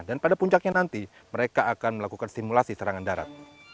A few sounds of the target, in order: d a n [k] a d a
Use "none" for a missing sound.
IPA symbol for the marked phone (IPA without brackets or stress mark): p